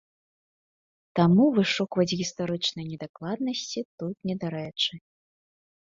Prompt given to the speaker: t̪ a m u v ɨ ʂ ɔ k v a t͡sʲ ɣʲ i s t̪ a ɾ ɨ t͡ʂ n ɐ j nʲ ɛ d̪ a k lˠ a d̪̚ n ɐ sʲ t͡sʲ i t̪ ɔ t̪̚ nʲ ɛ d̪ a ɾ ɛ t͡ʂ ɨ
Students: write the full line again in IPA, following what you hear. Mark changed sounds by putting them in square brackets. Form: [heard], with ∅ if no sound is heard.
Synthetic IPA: t̪ a m u v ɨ ʂ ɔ k v [ɐ] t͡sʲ ɣʲ i s t̪ a ɾ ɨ t͡ʂ n ɐ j nʲ ɛ d̪ a k lˠ a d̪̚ n ɐ sʲ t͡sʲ i t̪ [u] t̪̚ nʲ ɛ d̪ a ɾ ɛ t͡ʂ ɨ